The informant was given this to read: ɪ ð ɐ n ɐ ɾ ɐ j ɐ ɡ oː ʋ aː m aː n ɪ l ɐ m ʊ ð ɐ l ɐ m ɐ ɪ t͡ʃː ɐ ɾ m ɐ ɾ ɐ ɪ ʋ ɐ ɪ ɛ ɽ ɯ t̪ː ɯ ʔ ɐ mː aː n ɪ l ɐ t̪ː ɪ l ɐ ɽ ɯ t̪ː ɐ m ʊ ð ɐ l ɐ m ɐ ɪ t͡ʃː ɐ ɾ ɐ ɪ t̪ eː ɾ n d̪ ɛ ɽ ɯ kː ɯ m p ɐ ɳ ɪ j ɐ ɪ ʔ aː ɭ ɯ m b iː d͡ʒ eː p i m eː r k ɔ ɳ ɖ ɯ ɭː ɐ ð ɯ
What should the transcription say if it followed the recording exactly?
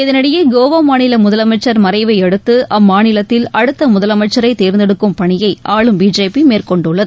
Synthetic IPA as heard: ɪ ð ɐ n ɐ ɽ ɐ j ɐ ɡ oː ʋ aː m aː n ɪ l ɐ m ʊ ð ɐ l ɐ m ɐ ɪ t͡ʃː ɐ ɾ m ɐ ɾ ɐ ɪ ʋ ɐ ɪ ɛ ɽ ɯ t̪ː ɯ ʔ ɐ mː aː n ɪ l ɐ t̪ː ɪ l ɐ ɽ ɯ t̪ː ɐ m ʊ ð ɐ l ɐ m ɐ ɪ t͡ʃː ɐ ɾ ɐ ɪ t̪ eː ɾ n d̪ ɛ ɽ ɯ kː ɯ m p ɐ ɳ ɪ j ɐ ɪ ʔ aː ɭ ɯ m b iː d͡ʒ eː p i m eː r k ɔ ɳ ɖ ɯ ɭː ɐ ð ɯ